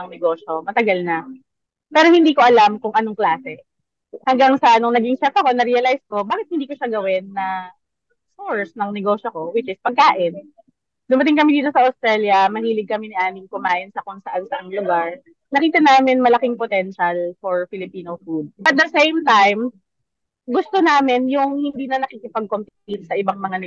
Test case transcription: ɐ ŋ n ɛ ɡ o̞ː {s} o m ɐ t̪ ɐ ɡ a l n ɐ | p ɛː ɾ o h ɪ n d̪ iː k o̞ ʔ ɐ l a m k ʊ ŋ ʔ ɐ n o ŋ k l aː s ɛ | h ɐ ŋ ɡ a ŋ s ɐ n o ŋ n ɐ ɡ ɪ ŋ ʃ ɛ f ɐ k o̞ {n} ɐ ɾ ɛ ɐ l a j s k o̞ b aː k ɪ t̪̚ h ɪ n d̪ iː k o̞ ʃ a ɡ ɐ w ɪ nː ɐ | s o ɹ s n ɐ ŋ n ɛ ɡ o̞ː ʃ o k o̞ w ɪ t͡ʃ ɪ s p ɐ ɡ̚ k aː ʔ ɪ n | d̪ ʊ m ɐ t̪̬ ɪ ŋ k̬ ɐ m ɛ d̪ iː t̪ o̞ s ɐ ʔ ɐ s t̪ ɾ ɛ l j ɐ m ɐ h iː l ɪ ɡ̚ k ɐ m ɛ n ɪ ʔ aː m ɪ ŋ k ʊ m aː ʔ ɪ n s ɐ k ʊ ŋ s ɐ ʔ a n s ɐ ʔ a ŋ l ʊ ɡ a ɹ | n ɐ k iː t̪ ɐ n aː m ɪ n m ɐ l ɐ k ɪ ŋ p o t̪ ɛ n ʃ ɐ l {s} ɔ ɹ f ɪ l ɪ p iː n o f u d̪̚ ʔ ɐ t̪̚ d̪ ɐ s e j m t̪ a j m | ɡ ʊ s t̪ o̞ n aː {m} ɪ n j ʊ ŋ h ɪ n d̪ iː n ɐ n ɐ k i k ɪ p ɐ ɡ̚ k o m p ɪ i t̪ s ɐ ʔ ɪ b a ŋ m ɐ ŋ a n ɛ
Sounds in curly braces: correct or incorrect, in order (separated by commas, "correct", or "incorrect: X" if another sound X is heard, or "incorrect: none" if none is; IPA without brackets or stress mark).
incorrect: ʃ, correct, incorrect: f, correct